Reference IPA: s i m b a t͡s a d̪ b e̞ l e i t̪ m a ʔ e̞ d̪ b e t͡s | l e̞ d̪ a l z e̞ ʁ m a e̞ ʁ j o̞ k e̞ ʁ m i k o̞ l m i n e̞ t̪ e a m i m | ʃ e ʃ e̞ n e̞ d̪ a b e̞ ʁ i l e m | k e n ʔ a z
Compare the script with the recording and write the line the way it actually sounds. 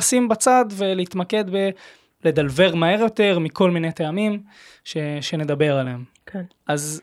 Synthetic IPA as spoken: s i m b a t͡s a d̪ v e̞ l e i t̪ m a k e̞ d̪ b e | l e̞ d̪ a l v e̞ ʁ m a e̞ ʁ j o̞ t e̞ ʁ m i k o̞ l m i n e̞ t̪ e a m i m | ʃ e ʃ e̞ n e̞ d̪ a b e̞ ʁ a l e m | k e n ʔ a z